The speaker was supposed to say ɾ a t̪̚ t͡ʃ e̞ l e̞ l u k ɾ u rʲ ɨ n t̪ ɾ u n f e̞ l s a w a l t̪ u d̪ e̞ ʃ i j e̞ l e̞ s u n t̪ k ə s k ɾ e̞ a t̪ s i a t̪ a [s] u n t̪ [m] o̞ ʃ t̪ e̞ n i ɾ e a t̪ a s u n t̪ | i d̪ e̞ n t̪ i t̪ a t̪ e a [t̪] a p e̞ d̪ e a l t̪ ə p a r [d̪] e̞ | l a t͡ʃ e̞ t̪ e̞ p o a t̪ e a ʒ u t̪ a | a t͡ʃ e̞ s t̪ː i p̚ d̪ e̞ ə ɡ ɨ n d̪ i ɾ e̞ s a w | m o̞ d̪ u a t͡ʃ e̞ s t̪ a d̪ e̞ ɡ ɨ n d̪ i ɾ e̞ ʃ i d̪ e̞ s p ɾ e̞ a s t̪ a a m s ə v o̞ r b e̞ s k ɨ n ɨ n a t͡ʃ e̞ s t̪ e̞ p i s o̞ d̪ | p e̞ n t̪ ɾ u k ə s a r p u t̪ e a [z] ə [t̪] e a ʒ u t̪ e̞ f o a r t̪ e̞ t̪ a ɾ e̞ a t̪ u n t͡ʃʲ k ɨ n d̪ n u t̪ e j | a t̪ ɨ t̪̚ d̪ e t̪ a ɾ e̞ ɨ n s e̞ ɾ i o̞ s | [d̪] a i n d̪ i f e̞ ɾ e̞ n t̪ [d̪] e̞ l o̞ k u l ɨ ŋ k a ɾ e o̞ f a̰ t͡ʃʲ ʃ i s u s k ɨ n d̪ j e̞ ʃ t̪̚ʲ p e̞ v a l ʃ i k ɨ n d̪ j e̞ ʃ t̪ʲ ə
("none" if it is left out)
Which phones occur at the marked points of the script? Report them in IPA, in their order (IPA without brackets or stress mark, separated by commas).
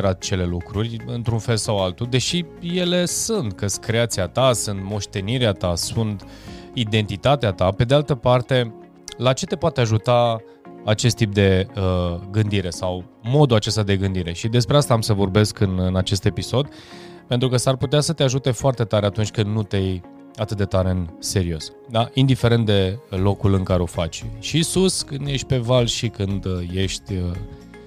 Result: s, m, t̪, t̪, s, t̪, d̪, d̪